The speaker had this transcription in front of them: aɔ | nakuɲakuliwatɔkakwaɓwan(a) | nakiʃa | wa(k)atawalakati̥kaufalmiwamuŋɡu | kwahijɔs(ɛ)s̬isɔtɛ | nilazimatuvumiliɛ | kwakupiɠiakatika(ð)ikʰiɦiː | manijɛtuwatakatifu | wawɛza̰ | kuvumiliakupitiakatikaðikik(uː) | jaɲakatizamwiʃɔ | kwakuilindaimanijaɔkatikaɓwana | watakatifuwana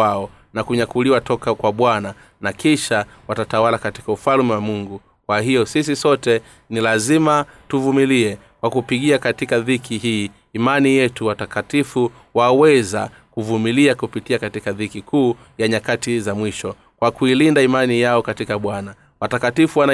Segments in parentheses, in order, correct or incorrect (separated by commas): correct, incorrect, incorrect, correct, correct